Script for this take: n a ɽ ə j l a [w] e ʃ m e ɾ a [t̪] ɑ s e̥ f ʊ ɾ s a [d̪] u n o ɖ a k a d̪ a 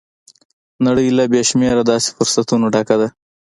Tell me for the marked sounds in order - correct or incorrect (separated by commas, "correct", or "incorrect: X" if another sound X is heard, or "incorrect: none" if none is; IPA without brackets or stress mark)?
incorrect: b, incorrect: d̪, incorrect: t̪